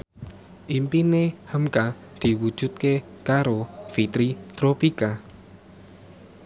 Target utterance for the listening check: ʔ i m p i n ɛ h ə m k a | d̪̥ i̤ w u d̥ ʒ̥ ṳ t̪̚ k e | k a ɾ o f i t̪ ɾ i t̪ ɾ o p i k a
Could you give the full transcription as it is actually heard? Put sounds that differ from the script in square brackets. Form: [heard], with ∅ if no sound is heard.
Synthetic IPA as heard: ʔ i m p i n [e] h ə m k a | d̪̥ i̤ w u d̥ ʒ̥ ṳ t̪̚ k e | k a ɾ o f i t̪ ɾ i t̪ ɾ o p i k a